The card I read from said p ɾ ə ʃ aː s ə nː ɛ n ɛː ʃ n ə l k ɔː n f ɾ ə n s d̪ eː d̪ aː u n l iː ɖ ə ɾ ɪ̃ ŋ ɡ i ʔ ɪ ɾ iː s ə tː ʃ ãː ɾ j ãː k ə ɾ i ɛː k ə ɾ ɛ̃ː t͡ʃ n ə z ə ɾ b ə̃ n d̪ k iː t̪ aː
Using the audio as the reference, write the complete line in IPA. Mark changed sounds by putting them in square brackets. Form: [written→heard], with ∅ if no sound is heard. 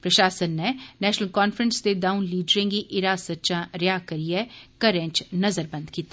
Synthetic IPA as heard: p ɾ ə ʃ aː s ə nː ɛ n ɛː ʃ n ə l k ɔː n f ɾ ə n s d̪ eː d̪ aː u n l iː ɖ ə ɾ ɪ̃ ŋ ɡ i ʔ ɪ ɾ [iː→aː] s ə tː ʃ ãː ɾ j [ãː→aː] k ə ɾ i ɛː k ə ɾ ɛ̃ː t͡ʃ n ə z ə ɾ b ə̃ n d̪ k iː t̪ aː